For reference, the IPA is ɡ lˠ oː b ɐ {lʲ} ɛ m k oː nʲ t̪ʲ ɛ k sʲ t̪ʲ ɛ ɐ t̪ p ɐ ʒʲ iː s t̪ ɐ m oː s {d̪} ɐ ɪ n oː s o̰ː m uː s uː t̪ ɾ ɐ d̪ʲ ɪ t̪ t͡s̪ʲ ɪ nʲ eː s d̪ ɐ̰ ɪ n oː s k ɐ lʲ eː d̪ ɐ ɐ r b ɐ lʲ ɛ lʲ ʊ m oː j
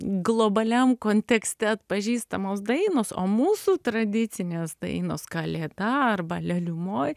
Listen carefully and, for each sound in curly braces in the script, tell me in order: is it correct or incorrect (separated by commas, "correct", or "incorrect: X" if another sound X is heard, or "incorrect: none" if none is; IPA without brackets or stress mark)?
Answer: correct, correct